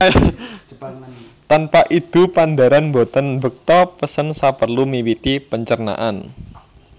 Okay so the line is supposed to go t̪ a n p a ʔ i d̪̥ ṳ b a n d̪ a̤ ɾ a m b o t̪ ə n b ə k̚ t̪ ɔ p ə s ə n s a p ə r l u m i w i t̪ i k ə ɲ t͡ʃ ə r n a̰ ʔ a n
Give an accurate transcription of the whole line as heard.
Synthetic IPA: t̪ a n p a ʔ i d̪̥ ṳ p a n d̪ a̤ ɾ a n b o t̪ ə n b ə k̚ t̪ ɔ p ə s ə n s a p ə r l u m i w i t̪ i p ə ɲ t͡ʃ ə r n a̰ ʔ a n